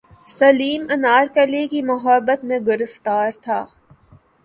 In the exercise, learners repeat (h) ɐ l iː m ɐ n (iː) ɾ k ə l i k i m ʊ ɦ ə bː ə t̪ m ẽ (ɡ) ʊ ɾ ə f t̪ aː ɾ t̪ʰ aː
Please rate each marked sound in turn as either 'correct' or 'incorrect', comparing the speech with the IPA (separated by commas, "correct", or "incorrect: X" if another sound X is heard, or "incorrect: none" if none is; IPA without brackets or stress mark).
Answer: incorrect: s, incorrect: aː, correct